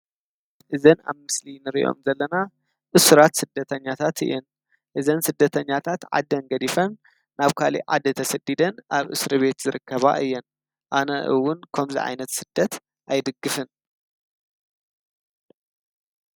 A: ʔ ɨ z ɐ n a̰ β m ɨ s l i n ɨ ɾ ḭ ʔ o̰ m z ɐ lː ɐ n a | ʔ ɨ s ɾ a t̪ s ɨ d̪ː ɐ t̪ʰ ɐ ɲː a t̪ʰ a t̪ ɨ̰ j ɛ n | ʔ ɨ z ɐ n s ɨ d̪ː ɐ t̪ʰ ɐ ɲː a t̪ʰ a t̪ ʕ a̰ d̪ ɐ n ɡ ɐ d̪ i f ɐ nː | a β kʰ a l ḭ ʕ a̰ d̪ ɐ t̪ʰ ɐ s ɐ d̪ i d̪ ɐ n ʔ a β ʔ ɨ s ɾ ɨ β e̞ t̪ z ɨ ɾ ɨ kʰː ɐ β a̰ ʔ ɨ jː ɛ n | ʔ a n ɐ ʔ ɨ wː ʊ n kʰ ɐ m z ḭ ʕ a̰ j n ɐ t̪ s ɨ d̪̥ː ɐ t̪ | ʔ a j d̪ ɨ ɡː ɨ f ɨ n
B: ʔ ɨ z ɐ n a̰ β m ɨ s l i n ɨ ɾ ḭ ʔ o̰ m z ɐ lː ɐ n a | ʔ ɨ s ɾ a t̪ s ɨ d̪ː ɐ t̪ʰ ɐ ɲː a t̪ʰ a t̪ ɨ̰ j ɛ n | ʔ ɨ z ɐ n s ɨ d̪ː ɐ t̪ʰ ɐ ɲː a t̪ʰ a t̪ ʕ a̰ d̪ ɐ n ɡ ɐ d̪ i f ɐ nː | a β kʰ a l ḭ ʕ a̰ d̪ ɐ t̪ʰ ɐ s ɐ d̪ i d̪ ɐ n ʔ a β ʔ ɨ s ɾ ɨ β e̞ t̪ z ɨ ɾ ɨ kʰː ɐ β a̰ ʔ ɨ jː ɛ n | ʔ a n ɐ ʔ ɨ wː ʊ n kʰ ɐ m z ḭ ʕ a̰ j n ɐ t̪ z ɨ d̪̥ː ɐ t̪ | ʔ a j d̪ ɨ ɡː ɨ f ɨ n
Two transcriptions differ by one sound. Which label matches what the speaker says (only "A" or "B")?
A